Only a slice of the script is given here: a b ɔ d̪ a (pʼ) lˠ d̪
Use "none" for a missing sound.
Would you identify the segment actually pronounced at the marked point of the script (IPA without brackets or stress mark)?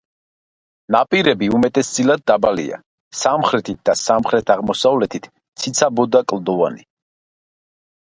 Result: kʼ